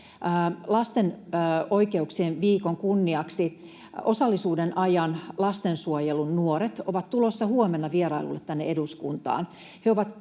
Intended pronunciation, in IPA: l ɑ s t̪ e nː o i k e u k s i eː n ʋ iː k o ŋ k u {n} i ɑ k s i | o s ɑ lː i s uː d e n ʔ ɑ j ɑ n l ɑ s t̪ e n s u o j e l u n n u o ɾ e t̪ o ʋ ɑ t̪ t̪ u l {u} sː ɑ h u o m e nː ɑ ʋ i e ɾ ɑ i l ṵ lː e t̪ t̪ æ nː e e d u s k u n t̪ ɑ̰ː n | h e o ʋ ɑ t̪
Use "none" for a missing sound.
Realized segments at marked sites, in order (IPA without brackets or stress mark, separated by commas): nː, o